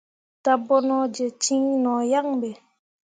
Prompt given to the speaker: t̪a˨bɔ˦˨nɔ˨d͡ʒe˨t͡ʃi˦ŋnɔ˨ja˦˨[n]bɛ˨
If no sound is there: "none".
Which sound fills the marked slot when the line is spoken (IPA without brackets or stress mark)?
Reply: ŋ